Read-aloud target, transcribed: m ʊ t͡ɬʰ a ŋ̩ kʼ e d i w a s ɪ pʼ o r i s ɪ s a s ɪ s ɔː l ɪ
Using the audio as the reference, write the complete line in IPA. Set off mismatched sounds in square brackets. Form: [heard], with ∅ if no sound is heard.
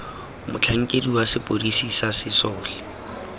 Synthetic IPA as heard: m ʊ t͡ɬʰ a ŋ̩ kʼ e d i w a s ɪ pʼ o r i s [i] s a s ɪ s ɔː l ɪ